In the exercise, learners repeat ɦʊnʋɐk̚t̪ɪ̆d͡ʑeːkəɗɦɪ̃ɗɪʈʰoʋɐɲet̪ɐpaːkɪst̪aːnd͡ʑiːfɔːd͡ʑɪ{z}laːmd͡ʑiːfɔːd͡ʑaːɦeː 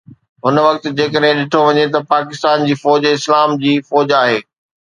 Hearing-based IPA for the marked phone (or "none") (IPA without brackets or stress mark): s